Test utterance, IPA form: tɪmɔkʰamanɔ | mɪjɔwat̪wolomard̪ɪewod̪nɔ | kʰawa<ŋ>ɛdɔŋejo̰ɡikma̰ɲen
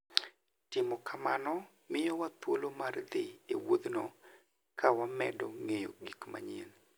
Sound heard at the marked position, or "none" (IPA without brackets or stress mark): m